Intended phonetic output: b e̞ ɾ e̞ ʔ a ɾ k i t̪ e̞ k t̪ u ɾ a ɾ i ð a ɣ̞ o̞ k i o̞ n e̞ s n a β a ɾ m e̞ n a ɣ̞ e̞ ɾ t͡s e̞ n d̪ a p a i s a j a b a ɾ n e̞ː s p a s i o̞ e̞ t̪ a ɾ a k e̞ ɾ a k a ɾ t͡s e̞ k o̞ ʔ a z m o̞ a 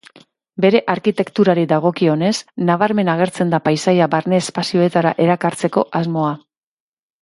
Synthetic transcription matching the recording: b e̞ ɾ e̞ ʔ a ɾ k i t̪ e̞ k t̪ u ɾ a ɾ i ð a ɣ̞ o̞ k i o̞ n e̞ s n a β a ɾ m e̞ n a ɣ̞ e̞ ɾ t͡s e̞ n d̪ a p a j s a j a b a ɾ n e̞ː s p a s i o̞ e̞ t̪ a ɾ a ʔ e̞ ɾ a k a ɾ t͡s e̞ k o̞ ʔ a z m o̞ a